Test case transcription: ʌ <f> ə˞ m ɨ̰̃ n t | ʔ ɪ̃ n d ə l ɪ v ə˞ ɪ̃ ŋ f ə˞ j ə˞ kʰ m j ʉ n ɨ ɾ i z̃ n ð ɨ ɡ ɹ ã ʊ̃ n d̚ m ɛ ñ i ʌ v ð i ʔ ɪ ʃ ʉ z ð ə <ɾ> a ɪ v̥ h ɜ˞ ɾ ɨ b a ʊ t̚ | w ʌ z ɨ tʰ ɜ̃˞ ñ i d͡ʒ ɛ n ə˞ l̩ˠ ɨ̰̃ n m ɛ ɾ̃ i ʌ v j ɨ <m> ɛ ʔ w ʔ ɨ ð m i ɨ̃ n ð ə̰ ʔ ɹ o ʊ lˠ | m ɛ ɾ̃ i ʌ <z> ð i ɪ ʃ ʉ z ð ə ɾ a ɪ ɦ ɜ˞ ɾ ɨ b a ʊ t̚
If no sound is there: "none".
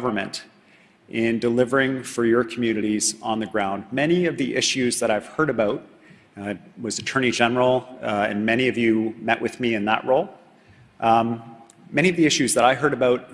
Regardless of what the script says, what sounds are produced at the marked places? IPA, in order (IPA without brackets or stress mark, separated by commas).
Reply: v, ɾ, m, v